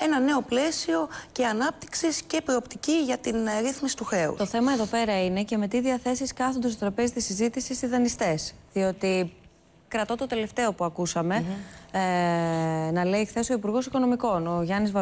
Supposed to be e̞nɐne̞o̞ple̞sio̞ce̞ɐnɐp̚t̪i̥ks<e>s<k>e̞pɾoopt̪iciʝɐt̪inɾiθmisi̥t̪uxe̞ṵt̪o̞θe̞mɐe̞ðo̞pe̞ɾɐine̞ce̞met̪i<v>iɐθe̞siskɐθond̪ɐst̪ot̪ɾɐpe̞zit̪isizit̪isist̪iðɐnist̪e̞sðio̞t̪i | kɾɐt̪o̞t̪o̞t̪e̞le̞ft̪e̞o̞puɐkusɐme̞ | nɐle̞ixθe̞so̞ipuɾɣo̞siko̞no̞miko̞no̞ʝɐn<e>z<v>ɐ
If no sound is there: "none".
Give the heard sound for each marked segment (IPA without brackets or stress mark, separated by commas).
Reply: i, c, ð, i, v